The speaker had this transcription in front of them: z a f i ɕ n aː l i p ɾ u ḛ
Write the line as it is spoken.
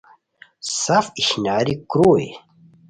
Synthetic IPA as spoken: s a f i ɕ n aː ɾ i k ɾ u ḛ